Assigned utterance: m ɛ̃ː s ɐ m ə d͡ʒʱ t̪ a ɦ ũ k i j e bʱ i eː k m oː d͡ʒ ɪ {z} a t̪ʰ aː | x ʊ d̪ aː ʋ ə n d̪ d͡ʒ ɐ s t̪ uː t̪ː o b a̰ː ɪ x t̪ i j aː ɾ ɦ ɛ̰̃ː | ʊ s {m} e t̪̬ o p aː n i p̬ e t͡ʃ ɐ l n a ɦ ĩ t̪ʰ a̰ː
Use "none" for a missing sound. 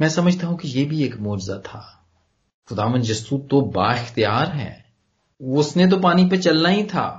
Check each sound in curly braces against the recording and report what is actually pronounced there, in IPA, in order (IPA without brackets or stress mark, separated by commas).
z, n